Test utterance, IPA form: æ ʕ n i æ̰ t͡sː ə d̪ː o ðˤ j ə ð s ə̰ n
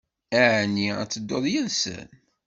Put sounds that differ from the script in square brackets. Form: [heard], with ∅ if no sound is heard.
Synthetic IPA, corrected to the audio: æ ʕ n i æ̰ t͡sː ə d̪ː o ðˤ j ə ð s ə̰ n